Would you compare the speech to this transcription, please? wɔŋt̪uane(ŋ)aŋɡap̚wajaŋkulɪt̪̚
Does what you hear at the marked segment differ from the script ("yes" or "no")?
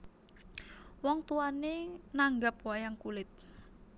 yes